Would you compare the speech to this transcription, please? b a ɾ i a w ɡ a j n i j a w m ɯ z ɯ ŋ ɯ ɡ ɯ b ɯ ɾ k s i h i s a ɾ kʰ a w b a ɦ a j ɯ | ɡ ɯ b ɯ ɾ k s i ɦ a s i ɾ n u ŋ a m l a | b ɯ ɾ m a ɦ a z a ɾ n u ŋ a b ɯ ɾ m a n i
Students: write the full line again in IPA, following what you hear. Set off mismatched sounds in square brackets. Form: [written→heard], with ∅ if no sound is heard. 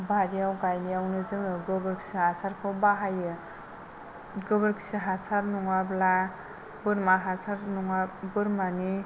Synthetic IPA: b a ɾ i a w ɡ a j n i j a w [m→n] ɯ z ɯ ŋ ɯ ɡ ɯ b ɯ ɾ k s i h [i→a] s a ɾ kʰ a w b a ɦ a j ɯ | ɡ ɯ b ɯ ɾ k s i ɦ a s [i→a] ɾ n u ŋ a [m→b] l a | b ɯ ɾ m a ɦ a [z→s] a ɾ n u ŋ a b ɯ ɾ m a n i